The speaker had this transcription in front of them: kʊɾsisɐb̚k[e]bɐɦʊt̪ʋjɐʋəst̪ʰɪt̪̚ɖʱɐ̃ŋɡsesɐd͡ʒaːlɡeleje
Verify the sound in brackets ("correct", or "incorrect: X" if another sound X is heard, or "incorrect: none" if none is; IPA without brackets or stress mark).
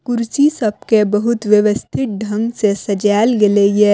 correct